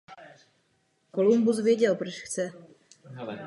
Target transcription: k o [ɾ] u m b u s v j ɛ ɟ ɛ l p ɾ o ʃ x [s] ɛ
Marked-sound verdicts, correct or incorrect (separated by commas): incorrect, incorrect